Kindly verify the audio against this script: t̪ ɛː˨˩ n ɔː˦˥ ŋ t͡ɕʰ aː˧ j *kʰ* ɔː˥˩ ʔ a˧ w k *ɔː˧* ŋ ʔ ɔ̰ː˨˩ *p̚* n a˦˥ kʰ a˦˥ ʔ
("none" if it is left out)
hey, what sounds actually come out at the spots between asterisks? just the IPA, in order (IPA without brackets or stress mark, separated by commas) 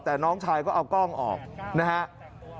k, ɔː˥˩, k̚